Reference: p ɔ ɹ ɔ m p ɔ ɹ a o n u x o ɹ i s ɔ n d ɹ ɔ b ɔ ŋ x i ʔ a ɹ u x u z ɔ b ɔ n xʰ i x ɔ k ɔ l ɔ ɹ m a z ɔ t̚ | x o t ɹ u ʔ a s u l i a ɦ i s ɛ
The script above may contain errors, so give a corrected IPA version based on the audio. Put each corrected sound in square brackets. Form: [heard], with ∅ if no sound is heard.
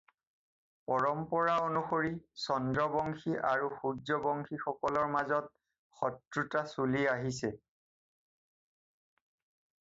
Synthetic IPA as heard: p ɔ ɹ ɔ m p ɔ ɹ a o n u x o ɹ i s ɔ n d ɹ ɔ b ɔ ŋ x i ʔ a ɹ u x u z ɔ b ɔ [ŋ] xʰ i x ɔ k ɔ l ɔ ɹ m a z ɔ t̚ | x [ɔ] t ɹ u [t] a s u l i a ɦ i s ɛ